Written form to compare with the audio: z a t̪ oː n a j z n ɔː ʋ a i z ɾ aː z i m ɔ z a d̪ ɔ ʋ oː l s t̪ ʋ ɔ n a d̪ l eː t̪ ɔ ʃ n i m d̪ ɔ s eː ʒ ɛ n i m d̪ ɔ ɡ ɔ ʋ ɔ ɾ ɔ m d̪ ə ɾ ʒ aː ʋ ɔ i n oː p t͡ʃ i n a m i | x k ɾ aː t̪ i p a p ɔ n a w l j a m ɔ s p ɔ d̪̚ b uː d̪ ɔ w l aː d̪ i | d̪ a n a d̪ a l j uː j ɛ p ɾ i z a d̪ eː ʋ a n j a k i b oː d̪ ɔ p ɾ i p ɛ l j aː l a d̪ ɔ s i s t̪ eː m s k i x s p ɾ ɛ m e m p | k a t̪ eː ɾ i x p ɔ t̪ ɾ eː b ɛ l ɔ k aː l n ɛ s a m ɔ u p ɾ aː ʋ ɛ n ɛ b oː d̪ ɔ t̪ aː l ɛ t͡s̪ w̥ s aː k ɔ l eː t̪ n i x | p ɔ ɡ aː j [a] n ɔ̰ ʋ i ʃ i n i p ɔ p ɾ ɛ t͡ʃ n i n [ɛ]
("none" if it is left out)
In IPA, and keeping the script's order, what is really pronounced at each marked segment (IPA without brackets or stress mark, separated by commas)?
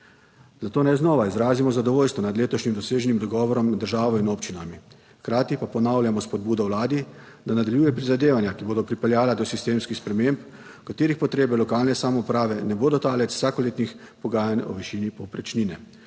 a, ɛ